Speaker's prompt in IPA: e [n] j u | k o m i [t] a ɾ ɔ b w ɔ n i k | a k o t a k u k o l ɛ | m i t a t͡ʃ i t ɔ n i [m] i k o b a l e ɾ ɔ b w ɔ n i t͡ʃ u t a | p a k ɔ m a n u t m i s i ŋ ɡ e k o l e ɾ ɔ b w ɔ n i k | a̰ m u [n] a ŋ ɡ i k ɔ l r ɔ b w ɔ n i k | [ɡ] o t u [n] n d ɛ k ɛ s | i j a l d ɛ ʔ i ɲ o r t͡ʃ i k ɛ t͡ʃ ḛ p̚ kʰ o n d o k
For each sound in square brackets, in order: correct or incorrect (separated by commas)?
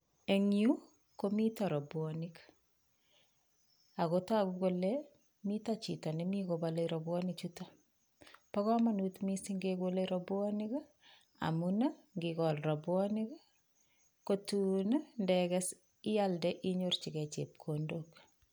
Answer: incorrect, correct, correct, correct, incorrect, correct